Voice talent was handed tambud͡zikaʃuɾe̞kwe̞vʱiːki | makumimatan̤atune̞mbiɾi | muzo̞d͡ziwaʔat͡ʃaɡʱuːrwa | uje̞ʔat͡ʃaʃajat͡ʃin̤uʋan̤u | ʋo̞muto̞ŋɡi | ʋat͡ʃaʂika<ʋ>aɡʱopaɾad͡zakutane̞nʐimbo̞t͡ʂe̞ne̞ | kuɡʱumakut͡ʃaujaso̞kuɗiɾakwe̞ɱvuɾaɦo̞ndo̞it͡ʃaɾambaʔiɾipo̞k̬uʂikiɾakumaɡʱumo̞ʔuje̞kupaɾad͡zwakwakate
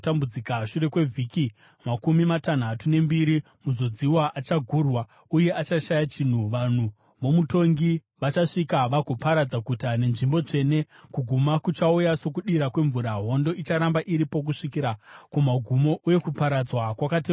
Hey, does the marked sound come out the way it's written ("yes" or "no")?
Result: yes